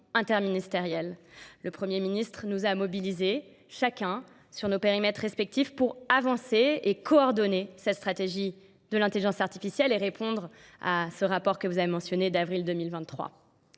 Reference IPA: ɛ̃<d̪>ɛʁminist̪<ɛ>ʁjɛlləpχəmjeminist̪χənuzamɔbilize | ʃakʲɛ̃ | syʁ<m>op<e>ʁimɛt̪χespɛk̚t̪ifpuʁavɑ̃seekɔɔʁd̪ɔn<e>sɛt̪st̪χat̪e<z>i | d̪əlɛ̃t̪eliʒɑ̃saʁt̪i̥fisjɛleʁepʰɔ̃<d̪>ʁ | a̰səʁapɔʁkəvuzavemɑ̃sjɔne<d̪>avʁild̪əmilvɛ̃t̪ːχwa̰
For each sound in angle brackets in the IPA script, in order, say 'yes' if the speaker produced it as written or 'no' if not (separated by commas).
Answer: no, no, no, yes, yes, no, yes, yes